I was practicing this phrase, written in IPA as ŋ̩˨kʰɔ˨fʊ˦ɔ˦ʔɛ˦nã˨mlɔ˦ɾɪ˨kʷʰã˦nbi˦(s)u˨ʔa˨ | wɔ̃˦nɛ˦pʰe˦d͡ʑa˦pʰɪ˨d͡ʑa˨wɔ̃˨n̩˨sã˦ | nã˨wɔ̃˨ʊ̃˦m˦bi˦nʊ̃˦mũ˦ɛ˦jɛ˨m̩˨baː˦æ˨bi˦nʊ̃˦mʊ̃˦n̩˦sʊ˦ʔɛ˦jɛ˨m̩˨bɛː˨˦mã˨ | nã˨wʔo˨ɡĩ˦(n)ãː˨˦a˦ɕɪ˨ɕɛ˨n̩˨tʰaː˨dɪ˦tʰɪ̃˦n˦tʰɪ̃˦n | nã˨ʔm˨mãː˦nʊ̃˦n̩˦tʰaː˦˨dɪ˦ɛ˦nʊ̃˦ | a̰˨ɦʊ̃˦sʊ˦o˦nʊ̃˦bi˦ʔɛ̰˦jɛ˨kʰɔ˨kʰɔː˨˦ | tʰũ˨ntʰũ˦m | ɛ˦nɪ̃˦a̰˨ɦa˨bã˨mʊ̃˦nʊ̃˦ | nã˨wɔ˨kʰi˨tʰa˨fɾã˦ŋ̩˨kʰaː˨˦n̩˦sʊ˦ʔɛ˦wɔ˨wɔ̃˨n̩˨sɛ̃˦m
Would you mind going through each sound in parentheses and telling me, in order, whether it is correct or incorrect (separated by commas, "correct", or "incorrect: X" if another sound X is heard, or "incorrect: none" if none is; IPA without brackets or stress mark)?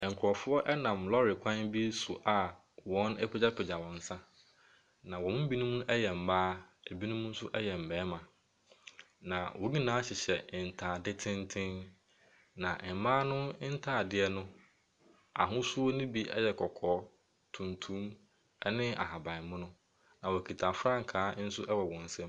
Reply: correct, correct